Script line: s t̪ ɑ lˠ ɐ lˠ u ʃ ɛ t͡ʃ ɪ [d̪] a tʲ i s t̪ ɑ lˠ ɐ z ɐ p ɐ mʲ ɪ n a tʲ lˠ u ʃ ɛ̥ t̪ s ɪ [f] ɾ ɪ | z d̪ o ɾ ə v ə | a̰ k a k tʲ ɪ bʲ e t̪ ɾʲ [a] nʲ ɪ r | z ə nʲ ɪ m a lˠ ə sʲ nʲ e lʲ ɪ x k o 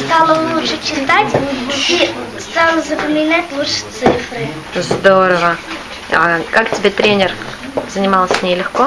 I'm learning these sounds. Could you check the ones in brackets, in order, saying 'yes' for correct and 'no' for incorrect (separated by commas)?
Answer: no, yes, no